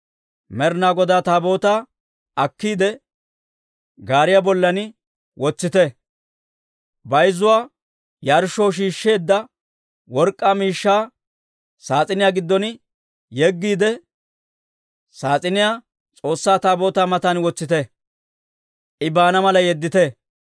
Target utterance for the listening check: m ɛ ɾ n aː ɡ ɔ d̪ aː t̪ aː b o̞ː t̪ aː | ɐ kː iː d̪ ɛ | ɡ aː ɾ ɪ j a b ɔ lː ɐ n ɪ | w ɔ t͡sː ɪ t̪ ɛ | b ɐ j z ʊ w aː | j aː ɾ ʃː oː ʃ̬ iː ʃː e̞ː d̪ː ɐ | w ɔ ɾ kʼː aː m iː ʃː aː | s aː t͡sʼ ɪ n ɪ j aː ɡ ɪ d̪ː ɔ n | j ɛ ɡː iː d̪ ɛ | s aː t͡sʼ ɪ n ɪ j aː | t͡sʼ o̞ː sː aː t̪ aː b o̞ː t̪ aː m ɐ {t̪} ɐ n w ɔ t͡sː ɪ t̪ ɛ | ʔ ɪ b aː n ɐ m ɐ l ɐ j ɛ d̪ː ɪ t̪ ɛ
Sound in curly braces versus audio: correct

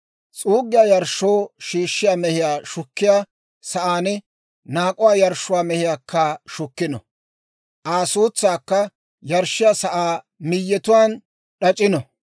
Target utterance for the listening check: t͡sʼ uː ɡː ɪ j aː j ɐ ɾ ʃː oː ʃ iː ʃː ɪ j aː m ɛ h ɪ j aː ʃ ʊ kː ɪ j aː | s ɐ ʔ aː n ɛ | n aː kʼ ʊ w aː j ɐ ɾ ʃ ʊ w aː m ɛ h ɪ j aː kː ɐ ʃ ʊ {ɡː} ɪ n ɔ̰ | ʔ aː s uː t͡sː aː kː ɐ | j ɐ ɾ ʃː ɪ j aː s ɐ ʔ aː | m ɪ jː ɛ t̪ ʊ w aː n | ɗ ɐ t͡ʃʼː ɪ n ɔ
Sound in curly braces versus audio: incorrect: kː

